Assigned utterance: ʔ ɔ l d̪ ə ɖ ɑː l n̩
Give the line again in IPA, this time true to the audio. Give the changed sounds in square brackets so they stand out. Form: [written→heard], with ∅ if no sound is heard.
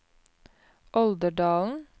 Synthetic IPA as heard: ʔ ɔ l d̪ ə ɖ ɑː l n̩